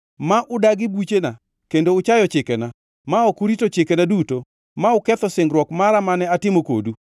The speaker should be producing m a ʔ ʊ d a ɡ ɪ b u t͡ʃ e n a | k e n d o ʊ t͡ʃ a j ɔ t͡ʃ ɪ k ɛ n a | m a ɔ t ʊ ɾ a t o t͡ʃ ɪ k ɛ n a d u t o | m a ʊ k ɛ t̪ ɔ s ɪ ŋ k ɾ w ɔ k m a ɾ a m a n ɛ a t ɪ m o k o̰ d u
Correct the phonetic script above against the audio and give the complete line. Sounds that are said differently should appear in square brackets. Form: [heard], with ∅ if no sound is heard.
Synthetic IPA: m a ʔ ʊ d a ɡ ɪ b u t͡ʃ e n a | k e n d o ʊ t͡ʃ a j ɔ t͡ʃ ɪ k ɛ n a | m a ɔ [k] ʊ ɾ [i] t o t͡ʃ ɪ k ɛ n a d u t o | m a ʊ k ɛ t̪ ɔ s ɪ ŋ [ɡ] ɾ w ɔ k m a ɾ a m a n ɛ a t ɪ m o k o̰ d u